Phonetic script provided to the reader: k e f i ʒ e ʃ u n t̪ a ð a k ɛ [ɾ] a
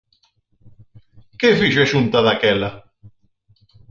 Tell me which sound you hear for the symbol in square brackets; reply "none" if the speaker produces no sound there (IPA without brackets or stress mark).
l